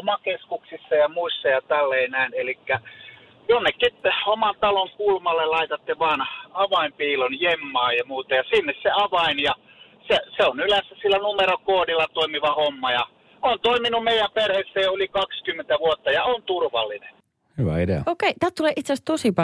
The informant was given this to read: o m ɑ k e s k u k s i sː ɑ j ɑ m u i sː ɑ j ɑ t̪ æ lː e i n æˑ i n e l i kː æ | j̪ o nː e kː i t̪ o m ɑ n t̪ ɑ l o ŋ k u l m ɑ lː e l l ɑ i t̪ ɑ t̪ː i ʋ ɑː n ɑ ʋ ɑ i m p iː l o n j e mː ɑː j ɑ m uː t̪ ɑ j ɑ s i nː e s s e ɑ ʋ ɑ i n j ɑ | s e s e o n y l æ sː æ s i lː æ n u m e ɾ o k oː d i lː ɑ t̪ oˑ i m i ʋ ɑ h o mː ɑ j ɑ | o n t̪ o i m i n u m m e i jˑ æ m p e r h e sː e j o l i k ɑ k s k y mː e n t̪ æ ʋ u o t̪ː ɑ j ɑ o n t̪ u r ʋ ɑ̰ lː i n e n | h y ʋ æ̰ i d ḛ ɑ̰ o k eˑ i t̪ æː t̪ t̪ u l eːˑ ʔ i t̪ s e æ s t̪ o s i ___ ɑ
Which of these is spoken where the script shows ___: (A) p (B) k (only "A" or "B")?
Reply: A